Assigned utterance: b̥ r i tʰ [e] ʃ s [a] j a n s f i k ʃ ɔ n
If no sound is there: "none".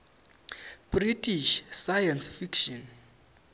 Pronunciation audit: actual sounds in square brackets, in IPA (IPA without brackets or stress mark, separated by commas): i, a